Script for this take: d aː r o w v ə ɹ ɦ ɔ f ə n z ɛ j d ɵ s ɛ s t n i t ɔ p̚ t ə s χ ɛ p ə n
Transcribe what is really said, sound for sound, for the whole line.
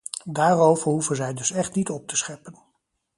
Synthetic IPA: d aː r o w v ə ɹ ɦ u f ə n z ɛ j d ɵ s ɛ χ t n i t ɔ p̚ t ə s χ ɛ p ə n